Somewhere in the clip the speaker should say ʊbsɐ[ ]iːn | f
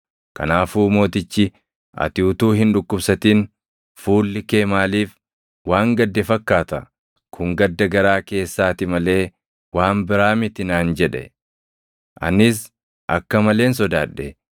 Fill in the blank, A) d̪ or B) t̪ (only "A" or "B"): B